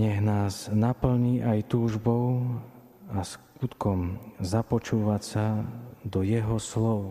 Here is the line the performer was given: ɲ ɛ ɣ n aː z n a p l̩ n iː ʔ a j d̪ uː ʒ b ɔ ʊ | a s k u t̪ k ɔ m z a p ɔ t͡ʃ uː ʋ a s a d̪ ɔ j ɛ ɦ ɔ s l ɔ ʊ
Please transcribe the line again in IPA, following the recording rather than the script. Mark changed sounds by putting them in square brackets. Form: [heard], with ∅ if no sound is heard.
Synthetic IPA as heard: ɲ ɛ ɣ n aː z n a p l̩ [ɲ] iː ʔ a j [t̪] uː ʒ b ɔ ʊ | a s k u t̪ k ɔ m z a p ɔ t͡ʃ uː ʋ a s a d̪ ɔ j ɛ ɦ ɔ s l ɔ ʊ